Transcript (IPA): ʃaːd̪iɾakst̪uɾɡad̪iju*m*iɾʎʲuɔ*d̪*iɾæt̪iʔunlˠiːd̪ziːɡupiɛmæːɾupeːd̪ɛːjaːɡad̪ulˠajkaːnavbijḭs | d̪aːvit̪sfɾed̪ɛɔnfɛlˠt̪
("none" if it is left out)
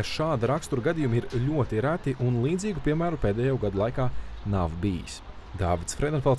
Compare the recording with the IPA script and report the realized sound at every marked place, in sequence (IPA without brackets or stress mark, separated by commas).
m, t̪